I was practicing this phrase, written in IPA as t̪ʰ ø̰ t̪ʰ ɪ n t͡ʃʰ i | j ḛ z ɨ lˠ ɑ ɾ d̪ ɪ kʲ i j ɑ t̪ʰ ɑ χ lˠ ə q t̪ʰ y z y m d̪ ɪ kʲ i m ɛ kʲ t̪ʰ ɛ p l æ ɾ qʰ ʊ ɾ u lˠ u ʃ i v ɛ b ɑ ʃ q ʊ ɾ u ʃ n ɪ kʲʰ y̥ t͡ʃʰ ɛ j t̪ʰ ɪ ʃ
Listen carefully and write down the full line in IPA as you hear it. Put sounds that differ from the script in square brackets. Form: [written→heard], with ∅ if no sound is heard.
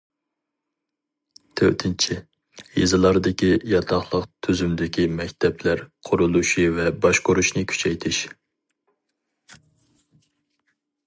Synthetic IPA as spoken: t̪ʰ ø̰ t̪ʰ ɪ n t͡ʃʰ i | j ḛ z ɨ lˠ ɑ ɾ d̪ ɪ kʲ i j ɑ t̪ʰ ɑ χ lˠ ə q t̪ʰ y z y m d̪ ɪ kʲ i m ɛ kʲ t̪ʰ ɛ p l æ ɾ qʰ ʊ ɾ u lˠ u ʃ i v ɛ b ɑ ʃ q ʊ ɾ u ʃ n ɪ kʲʰ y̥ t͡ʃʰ ɛ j t̪ʰ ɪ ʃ